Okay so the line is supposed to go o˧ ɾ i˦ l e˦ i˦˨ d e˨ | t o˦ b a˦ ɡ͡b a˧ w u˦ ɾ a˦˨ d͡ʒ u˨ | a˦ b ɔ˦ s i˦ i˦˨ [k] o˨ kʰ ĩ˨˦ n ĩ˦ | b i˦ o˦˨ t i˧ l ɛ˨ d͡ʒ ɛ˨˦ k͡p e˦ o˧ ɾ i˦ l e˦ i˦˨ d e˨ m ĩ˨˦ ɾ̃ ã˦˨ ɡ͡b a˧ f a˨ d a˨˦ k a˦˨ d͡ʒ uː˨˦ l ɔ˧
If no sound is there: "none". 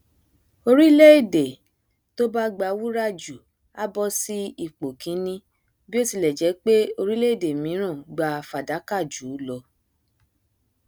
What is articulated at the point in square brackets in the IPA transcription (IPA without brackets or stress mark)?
k͡p